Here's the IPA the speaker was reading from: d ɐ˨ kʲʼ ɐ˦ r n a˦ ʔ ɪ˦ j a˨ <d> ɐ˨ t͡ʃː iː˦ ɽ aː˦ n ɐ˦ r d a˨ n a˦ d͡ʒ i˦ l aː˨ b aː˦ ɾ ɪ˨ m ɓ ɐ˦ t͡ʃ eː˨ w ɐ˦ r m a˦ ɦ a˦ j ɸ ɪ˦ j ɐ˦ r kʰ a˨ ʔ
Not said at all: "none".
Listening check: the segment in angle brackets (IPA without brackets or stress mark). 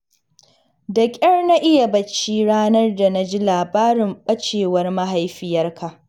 b